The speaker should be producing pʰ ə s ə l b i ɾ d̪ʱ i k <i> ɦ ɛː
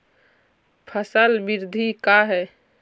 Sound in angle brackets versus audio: incorrect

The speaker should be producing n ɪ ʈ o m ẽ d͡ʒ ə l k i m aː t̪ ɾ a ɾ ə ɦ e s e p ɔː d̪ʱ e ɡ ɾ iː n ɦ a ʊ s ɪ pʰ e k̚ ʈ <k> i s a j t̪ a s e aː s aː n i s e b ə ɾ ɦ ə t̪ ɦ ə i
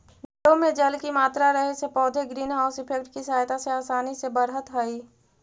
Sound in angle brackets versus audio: correct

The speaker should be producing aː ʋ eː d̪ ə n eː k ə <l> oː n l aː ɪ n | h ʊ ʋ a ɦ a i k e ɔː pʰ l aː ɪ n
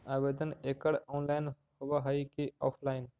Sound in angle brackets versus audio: incorrect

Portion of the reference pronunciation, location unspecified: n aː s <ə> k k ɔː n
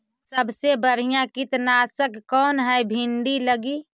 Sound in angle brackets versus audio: correct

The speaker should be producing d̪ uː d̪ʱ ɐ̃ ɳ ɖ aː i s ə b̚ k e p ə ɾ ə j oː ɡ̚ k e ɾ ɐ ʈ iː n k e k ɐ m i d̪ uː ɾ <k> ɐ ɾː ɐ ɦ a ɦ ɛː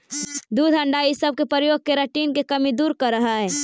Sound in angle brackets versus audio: correct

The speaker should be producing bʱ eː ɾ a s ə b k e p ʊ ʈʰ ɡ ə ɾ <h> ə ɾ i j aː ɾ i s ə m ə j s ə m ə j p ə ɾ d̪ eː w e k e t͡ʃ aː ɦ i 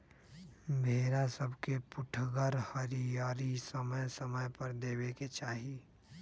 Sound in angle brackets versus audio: correct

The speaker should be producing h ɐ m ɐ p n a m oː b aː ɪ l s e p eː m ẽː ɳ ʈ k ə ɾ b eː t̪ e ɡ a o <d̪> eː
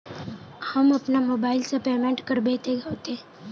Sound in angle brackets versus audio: incorrect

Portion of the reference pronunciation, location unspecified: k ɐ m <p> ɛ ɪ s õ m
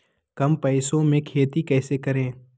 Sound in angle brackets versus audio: correct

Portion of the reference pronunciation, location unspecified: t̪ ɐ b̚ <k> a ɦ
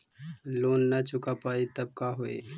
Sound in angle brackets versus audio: correct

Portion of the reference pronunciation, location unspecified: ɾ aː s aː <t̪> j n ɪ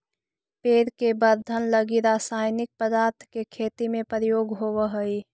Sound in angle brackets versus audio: incorrect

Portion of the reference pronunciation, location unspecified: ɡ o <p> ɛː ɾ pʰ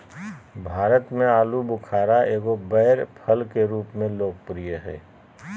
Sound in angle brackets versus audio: incorrect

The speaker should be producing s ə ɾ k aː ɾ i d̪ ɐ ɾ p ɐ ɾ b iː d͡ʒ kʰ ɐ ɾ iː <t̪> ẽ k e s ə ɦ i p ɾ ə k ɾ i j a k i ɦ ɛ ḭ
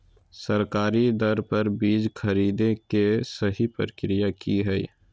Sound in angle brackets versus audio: incorrect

